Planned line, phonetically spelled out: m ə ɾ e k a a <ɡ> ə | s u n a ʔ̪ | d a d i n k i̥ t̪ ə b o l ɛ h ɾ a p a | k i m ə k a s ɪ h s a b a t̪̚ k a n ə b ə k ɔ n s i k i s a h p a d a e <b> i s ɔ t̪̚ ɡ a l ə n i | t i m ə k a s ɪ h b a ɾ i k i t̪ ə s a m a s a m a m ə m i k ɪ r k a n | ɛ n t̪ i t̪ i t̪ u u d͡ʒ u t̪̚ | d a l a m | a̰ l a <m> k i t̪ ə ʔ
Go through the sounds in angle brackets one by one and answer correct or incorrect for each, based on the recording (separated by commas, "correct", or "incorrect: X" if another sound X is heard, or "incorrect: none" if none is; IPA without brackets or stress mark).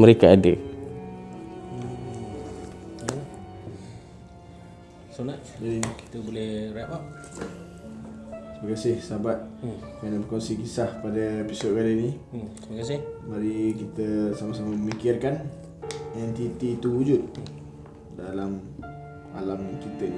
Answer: incorrect: d, incorrect: p, correct